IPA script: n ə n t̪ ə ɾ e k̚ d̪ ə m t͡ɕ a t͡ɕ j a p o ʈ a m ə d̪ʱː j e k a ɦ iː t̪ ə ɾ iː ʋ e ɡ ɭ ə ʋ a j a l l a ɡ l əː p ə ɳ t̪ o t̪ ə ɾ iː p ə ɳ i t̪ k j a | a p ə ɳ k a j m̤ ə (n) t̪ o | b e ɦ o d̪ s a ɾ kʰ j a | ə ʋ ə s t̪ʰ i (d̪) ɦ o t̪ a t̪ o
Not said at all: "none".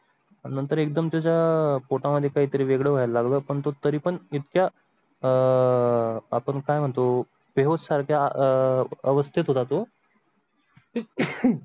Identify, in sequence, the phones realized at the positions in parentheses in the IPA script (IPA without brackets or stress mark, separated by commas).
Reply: ɳ, t̪